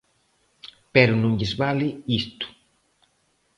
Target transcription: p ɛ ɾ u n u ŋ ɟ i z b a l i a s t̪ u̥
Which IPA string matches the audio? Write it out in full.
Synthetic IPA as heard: p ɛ ɾ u n u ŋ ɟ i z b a l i i s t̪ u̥